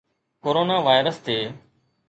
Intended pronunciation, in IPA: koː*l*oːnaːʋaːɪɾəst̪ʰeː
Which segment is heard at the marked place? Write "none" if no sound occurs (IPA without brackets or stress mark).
ɾ